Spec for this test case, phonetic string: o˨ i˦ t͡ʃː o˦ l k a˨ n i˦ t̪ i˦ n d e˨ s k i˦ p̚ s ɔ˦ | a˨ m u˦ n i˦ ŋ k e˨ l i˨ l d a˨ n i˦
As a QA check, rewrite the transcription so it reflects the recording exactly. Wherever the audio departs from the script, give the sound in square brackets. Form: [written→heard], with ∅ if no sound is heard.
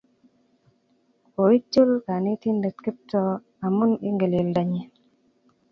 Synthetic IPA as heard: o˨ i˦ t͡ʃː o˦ l k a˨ n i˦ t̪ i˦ n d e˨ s k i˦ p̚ [s→t] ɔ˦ | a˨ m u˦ n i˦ ŋ [k→ɡ] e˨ l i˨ l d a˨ [n→ɲ] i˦